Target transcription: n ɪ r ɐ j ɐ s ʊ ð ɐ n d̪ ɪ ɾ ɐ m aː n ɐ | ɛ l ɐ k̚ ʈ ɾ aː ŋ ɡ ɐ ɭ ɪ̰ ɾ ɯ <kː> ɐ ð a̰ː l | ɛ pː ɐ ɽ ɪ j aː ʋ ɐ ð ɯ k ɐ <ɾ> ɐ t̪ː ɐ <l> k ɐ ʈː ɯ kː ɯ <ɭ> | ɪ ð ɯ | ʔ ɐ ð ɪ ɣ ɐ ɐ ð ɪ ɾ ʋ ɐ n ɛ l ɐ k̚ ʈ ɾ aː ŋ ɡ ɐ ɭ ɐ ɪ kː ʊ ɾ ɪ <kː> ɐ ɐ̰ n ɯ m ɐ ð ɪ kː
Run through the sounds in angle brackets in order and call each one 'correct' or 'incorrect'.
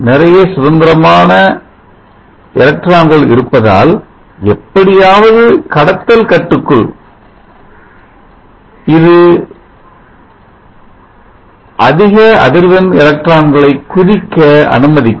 incorrect, incorrect, correct, correct, correct

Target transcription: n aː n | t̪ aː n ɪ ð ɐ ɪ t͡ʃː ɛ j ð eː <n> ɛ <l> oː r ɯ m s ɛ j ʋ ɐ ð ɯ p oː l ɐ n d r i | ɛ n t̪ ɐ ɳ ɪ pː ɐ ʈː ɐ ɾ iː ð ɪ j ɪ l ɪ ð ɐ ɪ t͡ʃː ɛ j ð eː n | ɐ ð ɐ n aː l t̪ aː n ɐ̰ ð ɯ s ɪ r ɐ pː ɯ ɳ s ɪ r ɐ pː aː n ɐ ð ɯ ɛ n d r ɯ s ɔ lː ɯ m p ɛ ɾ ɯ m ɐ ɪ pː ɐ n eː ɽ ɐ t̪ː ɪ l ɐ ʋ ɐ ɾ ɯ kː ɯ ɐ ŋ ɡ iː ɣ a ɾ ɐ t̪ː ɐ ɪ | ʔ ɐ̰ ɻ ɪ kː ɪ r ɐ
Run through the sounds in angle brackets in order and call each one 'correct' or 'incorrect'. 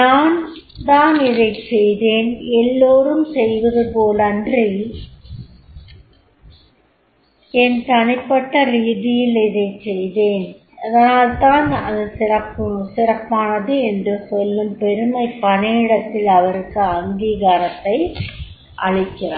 correct, incorrect

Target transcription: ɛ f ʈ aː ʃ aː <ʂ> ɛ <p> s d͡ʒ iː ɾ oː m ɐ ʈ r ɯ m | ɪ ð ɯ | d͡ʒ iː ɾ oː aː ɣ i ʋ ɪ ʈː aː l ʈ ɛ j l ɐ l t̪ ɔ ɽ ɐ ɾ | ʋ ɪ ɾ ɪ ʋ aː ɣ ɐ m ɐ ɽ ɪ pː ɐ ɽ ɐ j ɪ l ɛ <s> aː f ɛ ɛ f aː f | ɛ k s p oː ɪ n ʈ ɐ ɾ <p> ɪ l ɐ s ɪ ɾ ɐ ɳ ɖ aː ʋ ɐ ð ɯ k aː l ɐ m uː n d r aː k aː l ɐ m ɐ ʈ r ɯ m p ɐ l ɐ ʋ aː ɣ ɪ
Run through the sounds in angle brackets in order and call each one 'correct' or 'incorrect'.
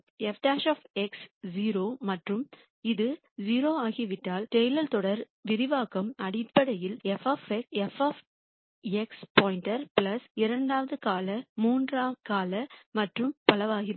incorrect, incorrect, incorrect, correct

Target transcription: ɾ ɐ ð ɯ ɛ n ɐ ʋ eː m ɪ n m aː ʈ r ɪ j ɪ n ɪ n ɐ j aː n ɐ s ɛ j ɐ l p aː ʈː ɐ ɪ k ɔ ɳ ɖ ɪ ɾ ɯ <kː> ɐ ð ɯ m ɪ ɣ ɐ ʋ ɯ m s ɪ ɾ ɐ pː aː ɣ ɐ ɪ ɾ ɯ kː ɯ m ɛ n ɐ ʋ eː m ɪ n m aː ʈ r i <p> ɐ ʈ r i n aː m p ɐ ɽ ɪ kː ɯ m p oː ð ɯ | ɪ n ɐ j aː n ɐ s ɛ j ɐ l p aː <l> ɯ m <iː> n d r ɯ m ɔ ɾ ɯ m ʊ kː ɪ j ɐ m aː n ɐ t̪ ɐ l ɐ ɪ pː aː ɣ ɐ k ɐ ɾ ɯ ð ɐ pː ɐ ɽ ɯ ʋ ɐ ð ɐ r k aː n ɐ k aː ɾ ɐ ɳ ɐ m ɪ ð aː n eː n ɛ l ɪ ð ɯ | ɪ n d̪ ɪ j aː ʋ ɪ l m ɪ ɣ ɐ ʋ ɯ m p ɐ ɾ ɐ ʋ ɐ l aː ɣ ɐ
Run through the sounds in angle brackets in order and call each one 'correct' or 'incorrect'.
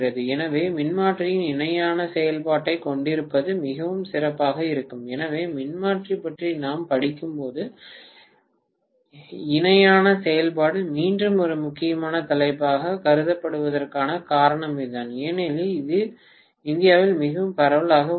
incorrect, correct, incorrect, correct

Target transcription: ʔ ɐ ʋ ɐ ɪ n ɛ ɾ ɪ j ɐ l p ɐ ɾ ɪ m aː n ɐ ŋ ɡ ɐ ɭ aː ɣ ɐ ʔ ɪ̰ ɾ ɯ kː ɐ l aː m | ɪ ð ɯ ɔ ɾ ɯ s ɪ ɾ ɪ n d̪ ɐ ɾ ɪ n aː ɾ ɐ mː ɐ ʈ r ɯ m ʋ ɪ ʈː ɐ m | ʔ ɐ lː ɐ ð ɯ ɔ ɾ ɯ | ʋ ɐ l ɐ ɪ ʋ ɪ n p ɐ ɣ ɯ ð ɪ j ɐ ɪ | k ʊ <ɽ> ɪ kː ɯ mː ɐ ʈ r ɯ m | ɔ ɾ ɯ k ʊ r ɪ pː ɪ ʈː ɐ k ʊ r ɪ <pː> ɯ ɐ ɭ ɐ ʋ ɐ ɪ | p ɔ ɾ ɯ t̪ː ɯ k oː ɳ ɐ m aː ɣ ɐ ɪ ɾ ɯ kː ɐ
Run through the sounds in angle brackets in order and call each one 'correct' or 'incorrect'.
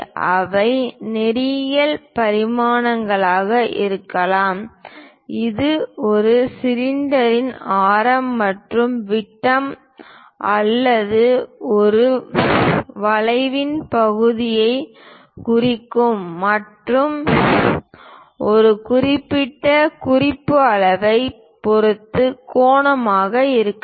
incorrect, correct

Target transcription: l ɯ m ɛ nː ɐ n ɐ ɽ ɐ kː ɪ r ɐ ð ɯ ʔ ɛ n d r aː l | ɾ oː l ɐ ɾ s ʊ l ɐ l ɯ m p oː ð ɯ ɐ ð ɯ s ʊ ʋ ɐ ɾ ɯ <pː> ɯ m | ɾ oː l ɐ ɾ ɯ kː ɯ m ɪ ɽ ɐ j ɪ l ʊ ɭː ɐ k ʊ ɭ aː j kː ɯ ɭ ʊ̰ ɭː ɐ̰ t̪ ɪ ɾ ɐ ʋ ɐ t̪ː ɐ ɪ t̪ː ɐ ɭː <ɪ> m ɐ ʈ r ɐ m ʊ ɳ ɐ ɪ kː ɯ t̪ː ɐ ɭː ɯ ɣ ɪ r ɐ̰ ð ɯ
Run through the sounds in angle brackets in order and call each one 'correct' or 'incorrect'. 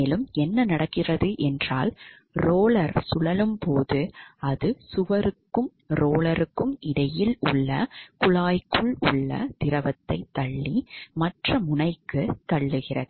incorrect, incorrect

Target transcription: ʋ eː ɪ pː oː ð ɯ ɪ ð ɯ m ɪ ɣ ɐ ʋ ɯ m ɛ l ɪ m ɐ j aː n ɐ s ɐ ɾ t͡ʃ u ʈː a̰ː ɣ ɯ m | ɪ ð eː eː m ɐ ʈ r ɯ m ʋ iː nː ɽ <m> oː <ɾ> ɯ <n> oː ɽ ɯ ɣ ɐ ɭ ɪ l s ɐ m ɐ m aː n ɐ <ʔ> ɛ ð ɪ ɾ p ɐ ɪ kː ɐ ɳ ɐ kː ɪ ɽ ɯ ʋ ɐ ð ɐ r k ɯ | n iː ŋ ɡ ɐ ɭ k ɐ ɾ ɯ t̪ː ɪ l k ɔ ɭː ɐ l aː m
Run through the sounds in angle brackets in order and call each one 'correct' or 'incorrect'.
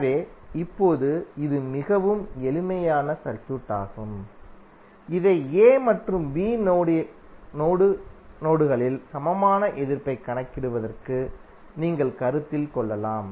incorrect, incorrect, correct, correct

